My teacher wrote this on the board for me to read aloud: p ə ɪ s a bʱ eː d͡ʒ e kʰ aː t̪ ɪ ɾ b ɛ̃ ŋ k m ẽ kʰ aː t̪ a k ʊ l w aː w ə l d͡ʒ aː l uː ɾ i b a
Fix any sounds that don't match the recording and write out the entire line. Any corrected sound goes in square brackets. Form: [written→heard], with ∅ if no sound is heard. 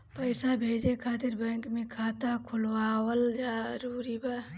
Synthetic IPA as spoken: p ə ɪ s a bʱ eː d͡ʒ e kʰ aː t̪ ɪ ɾ b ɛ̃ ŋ k m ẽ kʰ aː t̪ a [k→kʰ] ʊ l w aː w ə l d͡ʒ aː [l→ɾ] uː ɾ i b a